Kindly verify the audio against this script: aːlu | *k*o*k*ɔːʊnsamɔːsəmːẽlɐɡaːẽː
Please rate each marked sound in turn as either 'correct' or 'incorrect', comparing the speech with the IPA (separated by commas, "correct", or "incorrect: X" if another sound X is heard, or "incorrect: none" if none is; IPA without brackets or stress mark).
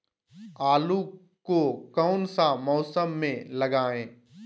correct, correct